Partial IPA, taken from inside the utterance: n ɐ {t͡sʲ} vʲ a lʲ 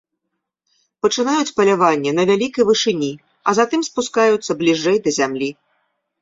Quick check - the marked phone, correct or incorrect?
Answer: incorrect